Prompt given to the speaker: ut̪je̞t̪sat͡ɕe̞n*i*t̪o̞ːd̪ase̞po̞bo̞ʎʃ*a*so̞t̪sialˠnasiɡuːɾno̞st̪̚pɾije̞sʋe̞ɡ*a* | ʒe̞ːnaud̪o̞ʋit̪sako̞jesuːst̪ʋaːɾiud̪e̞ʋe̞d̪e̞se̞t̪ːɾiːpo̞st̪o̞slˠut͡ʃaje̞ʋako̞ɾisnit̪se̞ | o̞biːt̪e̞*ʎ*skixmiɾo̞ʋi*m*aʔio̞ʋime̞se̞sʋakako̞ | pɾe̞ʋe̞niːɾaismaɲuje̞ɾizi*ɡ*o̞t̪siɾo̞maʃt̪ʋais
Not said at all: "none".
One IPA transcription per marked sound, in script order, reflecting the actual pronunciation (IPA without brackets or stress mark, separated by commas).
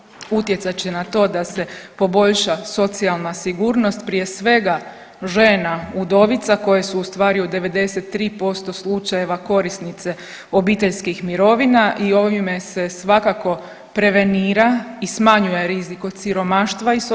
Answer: a, a, a, ʎ, n, k